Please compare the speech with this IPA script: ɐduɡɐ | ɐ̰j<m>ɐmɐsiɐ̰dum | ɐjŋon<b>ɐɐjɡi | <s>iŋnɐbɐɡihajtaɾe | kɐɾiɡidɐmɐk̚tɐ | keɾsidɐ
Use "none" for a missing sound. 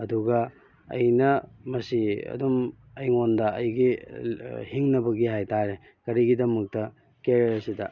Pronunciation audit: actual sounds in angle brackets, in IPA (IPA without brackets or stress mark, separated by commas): n, d, h